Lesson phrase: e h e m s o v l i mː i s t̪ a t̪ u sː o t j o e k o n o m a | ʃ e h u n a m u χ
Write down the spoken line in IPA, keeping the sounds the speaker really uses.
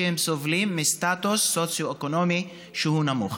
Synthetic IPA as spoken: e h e m s o v l i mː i s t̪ a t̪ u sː o t͡s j o e k o n o m i | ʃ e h u n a m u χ